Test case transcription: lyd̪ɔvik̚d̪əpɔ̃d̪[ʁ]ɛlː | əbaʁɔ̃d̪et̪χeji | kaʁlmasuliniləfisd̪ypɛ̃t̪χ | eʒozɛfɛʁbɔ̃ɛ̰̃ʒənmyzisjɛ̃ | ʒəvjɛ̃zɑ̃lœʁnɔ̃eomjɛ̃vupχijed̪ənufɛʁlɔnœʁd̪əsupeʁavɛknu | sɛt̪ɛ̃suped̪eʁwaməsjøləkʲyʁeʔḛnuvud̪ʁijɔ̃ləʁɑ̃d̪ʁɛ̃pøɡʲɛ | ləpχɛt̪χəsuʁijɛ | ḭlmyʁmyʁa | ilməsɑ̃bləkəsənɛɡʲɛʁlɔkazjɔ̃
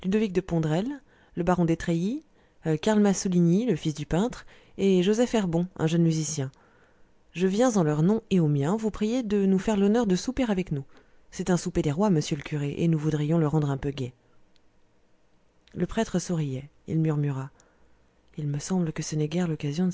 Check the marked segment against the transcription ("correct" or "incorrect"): correct